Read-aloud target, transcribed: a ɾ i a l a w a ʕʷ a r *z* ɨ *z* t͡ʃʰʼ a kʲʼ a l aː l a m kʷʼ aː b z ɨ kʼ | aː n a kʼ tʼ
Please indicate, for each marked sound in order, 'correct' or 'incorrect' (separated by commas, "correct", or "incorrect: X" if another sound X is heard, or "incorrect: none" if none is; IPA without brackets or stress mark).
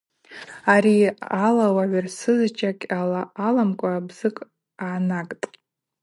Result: incorrect: s, correct